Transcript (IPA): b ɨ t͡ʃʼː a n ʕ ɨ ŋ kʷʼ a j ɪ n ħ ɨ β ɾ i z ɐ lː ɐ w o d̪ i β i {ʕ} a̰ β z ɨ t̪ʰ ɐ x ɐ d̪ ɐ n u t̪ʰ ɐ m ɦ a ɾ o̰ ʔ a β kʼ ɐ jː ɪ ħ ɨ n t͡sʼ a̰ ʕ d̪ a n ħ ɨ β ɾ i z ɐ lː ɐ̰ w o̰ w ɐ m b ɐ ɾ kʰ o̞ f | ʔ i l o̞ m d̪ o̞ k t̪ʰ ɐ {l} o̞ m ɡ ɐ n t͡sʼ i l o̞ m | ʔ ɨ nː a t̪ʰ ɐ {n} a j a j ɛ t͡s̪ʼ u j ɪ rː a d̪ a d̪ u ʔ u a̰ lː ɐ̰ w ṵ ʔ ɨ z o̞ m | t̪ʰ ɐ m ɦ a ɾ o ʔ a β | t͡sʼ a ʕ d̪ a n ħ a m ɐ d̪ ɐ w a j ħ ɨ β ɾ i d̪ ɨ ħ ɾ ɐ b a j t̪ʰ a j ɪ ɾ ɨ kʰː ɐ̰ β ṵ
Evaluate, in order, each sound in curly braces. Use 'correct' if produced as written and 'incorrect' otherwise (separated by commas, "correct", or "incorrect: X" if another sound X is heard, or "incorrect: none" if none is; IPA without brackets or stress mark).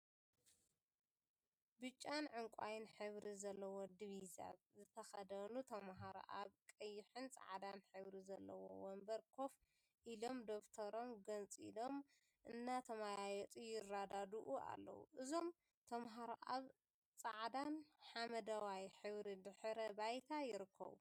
incorrect: z, incorrect: ɾ, incorrect: m